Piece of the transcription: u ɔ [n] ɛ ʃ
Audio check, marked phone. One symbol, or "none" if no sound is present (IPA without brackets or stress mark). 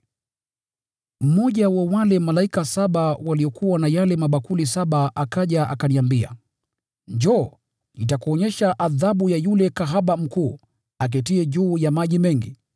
ɲ